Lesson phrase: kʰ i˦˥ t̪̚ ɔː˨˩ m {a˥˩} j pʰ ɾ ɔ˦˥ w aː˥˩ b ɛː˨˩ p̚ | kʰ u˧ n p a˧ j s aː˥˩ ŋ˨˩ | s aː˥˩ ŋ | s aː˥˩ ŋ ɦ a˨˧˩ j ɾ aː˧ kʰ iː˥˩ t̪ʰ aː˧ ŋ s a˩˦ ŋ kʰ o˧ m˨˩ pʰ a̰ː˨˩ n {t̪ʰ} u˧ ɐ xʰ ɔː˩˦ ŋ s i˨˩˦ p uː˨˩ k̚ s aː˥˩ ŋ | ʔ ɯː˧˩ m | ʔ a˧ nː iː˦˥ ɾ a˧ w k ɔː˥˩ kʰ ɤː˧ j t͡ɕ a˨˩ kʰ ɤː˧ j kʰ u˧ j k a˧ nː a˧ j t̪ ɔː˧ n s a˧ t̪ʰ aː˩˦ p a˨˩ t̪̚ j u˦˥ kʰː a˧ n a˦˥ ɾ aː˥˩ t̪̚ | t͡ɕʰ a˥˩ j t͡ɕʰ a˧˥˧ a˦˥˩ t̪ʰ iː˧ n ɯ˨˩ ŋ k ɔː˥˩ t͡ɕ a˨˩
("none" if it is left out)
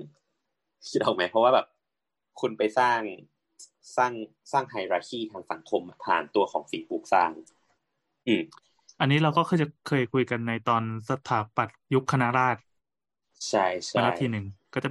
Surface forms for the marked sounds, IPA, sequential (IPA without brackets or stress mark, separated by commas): a˦˥, t̪